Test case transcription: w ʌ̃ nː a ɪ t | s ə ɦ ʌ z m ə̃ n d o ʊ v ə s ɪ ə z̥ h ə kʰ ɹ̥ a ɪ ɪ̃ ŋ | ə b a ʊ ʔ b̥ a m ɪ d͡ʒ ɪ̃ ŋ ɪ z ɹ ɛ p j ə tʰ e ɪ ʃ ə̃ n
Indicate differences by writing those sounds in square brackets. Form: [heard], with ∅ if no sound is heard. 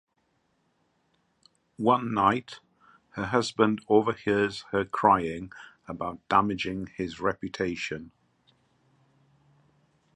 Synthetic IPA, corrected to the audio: w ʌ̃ nː a ɪ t | [h] ə ɦ ʌ z [b] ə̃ n d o ʊ v ə [h] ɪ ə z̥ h ə kʰ ɹ̥ a ɪ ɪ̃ ŋ | ə b a ʊ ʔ [d̥] a m ɪ d͡ʒ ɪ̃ ŋ ɪ z ɹ ɛ p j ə tʰ e ɪ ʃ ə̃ n

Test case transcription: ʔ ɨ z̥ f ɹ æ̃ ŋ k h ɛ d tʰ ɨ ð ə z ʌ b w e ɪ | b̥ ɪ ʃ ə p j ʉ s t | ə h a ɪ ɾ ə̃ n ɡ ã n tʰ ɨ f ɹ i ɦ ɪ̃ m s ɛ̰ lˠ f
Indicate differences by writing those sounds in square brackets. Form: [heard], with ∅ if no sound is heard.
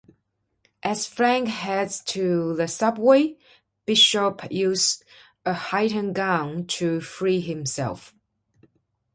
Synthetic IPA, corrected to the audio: ʔ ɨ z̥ f ɹ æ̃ ŋ k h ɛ d tʰ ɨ ð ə [s] ʌ b w e ɪ | b̥ ɪ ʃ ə p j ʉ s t | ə h a ɪ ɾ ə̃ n ɡ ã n tʰ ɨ f ɹ i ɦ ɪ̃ m s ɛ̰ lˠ f

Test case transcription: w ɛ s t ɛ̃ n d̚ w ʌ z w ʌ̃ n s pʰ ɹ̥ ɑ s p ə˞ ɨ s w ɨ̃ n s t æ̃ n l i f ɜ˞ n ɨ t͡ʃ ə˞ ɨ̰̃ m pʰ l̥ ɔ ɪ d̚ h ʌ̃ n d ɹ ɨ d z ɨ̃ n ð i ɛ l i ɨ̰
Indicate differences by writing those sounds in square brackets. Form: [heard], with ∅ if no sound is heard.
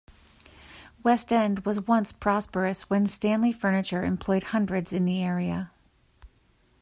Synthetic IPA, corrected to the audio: w ɛ s t ɛ̃ n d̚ w ʌ z w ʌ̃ n s pʰ ɹ̥ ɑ s p ə˞ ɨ s w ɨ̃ n s t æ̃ n l i f ɜ˞ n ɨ t͡ʃ ə˞ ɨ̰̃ m pʰ l̥ ɔ ɪ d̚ h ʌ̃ n d ɹ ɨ d z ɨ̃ n ð i ɛ [ɹ] i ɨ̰

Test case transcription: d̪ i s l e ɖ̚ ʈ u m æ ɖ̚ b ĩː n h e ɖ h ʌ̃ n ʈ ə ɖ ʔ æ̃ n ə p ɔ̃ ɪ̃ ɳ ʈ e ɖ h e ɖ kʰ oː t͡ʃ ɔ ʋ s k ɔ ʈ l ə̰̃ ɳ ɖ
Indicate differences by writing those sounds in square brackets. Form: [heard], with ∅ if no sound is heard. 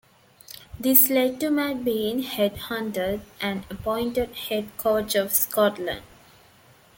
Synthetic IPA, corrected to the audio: d̪ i s l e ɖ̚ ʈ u m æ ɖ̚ b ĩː n h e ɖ h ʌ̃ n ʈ ə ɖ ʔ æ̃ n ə p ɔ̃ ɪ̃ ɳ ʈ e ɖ h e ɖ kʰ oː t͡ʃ ɔ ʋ s k ɔ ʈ l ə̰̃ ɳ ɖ

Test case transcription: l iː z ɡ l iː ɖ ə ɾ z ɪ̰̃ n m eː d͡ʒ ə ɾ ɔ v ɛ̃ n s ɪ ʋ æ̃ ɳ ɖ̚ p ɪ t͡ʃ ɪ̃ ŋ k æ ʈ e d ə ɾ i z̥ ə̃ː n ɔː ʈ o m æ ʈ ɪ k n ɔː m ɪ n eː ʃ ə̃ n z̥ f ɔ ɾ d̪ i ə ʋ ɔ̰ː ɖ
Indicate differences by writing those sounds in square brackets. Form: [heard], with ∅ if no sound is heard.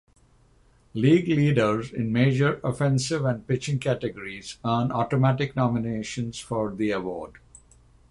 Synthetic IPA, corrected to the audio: l iː [∅] ɡ l iː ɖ ə ɾ z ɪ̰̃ n m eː d͡ʒ ə ɾ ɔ [f] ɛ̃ n s ɪ ʋ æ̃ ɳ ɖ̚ p ɪ t͡ʃ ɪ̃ ŋ k æ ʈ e [ɡ] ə ɾ i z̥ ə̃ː n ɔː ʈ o m æ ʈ ɪ k n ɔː m ɪ n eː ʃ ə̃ n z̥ f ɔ ɾ d̪ i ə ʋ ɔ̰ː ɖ

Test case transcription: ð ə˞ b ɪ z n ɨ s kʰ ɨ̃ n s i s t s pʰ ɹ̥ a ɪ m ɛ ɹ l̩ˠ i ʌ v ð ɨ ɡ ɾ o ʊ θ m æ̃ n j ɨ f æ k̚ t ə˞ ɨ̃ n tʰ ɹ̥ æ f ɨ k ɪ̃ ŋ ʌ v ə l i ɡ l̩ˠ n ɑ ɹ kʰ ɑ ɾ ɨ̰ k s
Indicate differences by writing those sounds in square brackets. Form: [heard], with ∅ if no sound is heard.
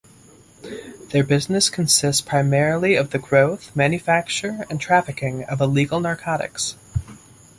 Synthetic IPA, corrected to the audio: ð ə˞ b ɪ z n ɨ s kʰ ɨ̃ n s [ɪ] s t s pʰ ɹ̥ a ɪ m ɛ ɹ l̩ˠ i ʌ v ð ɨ ɡ [ɹ] o ʊ θ m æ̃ n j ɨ f æ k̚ [t͡ʃ] ə˞ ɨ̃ n tʰ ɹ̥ æ f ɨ k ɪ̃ ŋ ʌ v ə l i ɡ l̩ˠ n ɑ ɹ kʰ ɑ ɾ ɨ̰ k s

